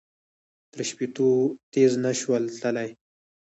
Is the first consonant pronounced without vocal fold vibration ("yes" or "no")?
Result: yes